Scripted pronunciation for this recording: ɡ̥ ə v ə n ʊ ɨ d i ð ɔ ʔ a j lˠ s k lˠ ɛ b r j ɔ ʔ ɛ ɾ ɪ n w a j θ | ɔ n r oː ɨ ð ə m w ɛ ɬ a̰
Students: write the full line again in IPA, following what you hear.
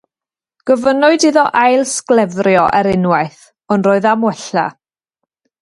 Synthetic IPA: ɡ̥ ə v ə n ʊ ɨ d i ð ɔ ʔ a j lˠ s k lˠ ɛ v r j ɔ ʔ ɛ ɾ ɪ n w a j θ | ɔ n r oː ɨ ð a m w ɛ ɬ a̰